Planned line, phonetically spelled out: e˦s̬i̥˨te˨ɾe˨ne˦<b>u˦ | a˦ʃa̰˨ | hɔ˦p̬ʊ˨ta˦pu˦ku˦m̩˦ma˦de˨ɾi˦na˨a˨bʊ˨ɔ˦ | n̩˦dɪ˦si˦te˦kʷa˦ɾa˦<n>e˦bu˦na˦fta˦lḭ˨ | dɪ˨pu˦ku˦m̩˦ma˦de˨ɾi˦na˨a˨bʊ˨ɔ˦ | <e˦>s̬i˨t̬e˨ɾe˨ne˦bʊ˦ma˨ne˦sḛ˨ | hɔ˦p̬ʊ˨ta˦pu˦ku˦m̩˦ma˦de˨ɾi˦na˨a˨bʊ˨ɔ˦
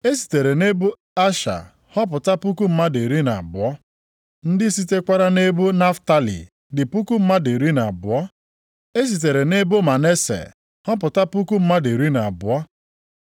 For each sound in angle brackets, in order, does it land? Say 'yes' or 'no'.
yes, yes, yes

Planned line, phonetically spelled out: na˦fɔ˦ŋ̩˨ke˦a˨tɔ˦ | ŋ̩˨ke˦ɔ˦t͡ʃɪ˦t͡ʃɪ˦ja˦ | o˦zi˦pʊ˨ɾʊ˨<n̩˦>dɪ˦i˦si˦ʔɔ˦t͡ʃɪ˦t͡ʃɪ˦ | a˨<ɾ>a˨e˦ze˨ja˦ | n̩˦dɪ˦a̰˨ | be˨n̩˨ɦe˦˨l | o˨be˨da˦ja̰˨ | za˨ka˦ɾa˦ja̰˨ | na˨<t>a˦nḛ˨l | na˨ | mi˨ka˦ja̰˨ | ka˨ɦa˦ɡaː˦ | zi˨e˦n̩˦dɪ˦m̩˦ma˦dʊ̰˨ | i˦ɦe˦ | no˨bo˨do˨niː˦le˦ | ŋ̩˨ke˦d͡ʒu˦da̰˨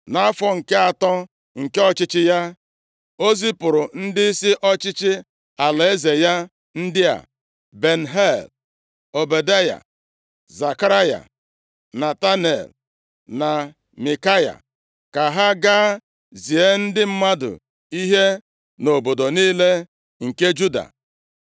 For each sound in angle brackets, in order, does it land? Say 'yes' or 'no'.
yes, no, yes

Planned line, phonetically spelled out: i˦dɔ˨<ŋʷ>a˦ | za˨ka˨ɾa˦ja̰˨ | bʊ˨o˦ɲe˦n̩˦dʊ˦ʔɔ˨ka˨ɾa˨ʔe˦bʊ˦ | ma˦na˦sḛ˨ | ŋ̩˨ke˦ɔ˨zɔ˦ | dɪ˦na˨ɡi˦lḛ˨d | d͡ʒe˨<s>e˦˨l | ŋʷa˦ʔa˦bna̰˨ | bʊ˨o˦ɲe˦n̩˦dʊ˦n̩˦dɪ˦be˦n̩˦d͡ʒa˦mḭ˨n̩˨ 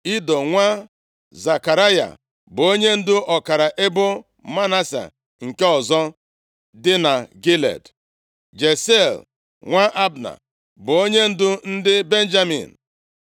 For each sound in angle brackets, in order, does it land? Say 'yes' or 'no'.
yes, yes

